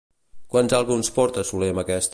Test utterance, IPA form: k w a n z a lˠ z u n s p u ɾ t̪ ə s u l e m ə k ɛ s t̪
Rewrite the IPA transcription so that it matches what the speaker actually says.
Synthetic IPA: k w a n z a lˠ ɣ u n s p ɔ ɾ t̪ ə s u l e m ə k ɛ s t̪